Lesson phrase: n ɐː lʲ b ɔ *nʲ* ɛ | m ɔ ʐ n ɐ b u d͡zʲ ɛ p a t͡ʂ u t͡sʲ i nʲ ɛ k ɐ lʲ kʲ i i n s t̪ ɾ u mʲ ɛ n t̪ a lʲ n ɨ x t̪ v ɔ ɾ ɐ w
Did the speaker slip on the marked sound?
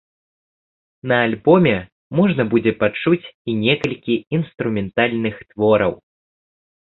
yes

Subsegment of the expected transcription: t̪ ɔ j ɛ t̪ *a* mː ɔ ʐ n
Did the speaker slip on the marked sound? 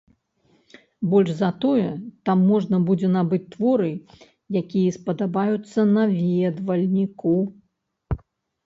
no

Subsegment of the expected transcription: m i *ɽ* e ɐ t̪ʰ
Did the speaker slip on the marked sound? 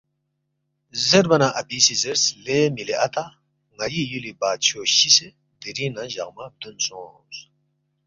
yes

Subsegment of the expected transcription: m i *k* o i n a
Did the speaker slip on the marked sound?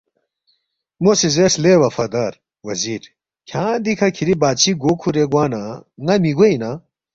yes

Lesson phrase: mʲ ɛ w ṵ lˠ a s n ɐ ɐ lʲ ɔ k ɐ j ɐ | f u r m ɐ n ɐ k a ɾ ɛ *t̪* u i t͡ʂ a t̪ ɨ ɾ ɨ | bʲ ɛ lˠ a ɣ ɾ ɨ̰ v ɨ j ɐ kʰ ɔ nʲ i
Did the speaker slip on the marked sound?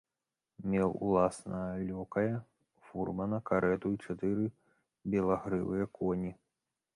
no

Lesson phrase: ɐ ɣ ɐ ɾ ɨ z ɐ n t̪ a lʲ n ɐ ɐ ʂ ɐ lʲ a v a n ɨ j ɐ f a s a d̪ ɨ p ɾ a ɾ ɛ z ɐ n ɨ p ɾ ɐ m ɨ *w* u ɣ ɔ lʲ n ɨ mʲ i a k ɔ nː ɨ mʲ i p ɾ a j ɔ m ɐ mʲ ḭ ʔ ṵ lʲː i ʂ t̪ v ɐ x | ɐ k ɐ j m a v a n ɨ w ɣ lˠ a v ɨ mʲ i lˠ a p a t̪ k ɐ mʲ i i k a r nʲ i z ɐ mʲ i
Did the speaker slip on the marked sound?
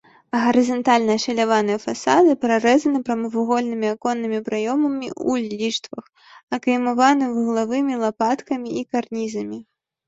yes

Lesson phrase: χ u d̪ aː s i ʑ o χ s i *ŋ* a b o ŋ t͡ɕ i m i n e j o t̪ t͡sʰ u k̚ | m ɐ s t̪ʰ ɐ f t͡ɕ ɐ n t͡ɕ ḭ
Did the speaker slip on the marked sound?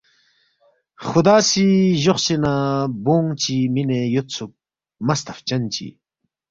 yes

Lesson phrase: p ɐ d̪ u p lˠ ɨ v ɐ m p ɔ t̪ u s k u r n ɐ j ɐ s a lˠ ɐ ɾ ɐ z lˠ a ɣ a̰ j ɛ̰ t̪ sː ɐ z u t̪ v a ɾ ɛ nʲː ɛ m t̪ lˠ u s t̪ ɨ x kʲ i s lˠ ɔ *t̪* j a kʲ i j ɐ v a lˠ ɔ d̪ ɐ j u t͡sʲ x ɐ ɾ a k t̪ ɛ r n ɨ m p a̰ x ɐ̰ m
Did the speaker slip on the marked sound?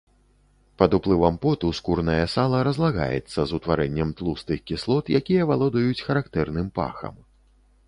no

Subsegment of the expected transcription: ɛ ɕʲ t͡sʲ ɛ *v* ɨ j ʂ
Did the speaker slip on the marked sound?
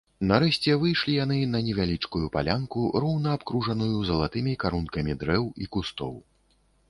no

